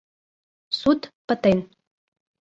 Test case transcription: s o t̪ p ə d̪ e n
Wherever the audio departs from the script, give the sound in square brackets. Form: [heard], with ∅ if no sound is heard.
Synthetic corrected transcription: s [u] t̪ p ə [t̪] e n